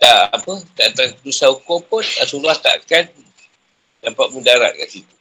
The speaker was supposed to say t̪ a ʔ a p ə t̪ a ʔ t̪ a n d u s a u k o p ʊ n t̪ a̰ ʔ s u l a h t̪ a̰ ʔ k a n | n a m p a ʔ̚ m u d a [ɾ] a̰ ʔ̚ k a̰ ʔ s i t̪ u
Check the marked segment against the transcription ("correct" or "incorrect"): correct